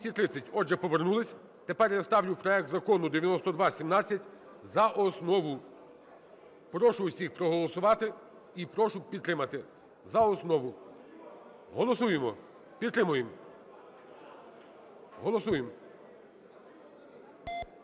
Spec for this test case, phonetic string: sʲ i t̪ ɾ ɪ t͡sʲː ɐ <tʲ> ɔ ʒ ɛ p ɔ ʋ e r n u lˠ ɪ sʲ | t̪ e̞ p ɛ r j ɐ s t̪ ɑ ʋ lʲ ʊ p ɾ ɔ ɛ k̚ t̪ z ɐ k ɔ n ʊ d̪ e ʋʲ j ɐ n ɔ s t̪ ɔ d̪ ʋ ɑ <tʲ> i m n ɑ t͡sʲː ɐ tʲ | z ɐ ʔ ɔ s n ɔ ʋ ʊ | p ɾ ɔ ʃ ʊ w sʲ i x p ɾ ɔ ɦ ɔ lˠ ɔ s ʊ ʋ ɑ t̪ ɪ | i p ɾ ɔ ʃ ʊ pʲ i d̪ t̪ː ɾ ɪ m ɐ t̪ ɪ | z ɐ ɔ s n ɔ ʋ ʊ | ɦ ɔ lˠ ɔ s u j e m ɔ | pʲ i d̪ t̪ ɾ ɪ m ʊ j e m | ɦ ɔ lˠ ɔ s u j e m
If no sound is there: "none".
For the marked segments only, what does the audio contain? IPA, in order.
tʲ, sʲ

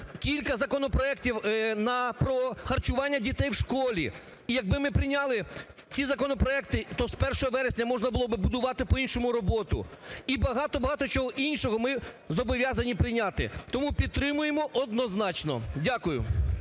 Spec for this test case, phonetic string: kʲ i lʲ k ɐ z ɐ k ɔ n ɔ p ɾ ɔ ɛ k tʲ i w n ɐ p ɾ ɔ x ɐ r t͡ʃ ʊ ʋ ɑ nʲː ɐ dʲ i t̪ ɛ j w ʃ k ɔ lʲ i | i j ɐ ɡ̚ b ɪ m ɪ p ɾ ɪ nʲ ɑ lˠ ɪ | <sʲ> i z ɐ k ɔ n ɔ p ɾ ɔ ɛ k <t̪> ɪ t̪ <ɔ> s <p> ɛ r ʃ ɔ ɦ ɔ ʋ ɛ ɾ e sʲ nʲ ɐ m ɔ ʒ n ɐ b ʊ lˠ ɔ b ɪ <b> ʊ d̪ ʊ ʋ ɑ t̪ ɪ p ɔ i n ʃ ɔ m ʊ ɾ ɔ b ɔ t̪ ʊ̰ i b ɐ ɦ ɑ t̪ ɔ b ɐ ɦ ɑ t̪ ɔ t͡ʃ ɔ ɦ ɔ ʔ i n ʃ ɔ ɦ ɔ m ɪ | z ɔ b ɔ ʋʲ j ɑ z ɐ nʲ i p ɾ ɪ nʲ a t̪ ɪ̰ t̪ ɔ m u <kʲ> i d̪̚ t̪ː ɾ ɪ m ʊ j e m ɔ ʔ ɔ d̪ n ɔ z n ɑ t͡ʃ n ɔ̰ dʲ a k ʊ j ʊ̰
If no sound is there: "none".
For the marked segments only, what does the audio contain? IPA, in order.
t͡sʲ, t̪, ɔ, p, b, pʲ

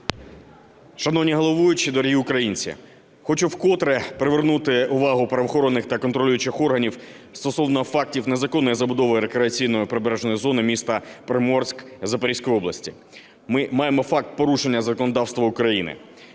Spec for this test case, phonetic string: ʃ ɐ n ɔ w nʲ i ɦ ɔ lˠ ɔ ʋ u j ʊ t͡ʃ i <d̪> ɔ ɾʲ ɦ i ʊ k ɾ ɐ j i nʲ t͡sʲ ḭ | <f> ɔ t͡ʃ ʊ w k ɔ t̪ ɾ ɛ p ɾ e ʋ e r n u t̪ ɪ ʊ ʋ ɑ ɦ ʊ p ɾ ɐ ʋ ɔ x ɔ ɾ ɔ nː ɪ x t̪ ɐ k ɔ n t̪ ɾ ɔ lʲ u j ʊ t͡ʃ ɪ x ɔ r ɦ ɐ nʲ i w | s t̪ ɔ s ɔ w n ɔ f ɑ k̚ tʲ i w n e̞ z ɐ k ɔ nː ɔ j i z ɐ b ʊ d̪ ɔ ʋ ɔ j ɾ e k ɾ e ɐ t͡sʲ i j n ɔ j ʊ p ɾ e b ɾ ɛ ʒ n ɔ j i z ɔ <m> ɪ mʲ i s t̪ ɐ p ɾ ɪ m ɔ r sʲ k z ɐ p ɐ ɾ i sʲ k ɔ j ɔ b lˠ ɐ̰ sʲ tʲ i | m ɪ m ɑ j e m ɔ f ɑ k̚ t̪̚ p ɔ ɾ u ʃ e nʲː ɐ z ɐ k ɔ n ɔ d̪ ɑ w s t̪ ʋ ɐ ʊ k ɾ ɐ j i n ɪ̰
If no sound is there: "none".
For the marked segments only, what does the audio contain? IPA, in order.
d̪, x, n

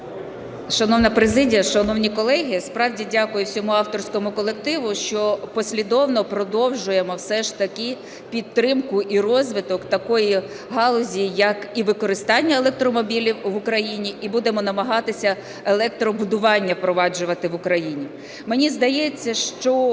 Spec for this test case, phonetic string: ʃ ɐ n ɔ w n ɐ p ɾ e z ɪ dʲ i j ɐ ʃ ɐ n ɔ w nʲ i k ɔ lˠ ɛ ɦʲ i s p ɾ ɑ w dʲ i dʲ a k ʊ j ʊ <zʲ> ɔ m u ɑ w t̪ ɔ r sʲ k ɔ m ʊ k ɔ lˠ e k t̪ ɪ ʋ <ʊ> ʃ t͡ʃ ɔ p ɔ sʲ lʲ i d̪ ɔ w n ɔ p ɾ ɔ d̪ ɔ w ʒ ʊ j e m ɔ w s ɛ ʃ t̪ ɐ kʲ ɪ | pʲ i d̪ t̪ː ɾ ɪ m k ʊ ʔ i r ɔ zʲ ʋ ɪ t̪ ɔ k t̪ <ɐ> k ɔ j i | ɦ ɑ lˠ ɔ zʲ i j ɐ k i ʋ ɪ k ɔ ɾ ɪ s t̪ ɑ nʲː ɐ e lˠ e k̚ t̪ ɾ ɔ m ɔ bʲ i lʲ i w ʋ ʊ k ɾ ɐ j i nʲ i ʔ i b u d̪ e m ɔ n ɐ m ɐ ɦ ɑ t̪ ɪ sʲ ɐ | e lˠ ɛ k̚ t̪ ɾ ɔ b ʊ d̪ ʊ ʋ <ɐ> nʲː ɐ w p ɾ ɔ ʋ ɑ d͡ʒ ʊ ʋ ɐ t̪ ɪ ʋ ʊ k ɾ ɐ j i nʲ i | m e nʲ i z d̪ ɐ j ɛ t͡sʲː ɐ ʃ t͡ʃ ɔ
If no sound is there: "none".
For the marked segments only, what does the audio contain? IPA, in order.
sʲ, ʊ, ɐ, ɑ

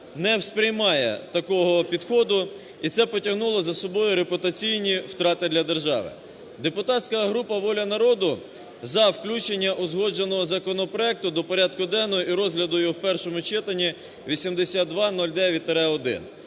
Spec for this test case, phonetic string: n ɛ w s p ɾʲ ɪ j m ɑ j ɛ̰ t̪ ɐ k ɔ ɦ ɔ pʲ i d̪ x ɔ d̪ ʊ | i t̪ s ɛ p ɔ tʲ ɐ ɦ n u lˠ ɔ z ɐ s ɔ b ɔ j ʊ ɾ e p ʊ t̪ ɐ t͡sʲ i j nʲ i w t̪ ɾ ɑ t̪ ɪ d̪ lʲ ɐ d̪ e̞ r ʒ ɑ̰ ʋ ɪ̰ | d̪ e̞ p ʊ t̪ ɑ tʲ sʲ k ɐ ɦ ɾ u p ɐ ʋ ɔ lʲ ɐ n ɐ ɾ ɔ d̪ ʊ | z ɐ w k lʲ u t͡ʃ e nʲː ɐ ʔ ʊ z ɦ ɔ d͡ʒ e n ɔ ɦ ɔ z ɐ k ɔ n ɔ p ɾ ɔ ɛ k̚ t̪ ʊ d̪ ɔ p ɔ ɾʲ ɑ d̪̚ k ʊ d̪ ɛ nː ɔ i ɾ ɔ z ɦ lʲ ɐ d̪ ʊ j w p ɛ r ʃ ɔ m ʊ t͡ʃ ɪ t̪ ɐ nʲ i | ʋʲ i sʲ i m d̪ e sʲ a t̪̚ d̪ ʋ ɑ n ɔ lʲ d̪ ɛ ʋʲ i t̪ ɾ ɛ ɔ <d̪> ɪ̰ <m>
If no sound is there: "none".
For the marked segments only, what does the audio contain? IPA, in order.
d̪, n

